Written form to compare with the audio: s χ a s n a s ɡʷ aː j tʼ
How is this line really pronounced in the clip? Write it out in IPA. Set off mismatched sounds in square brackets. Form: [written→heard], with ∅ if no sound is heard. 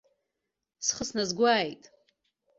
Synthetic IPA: s χ [a→ə] s n a [s→z] ɡʷ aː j tʼ